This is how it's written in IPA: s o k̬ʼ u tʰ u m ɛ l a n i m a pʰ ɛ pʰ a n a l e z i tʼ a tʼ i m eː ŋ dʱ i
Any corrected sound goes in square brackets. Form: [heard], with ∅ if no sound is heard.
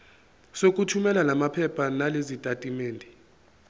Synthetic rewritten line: s o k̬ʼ u tʰ u m ɛ l a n [a] m a pʰ ɛ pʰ a n a l e z i tʼ a tʼ i m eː [n] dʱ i